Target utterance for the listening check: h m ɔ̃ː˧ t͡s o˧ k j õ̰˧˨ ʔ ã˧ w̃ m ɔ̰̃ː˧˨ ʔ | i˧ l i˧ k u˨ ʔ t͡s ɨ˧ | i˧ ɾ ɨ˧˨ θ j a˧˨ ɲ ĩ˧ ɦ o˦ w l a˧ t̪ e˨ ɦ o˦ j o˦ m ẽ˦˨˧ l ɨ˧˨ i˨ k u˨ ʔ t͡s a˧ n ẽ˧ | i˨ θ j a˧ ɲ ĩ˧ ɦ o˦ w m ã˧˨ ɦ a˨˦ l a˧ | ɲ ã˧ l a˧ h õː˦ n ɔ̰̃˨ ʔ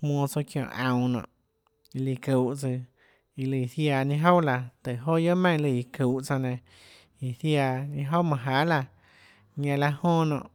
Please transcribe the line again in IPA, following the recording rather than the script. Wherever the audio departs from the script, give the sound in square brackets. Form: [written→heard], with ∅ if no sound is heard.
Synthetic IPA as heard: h m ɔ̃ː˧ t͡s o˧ k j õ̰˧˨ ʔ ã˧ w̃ [m→n] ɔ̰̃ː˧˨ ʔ | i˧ l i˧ k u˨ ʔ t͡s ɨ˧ | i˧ [ɾ→l] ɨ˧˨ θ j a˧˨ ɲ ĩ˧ ɦ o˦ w l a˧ t̪ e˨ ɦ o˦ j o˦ m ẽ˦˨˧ l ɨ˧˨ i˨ k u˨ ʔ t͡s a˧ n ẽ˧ | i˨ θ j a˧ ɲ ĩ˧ ɦ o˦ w m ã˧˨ ɦ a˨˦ l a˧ | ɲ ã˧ l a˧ h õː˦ n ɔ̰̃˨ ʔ